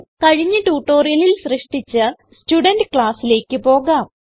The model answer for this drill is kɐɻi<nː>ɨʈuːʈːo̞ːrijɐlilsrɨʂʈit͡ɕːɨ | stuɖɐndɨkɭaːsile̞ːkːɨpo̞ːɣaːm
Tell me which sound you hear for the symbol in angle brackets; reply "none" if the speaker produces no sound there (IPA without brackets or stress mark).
ɲː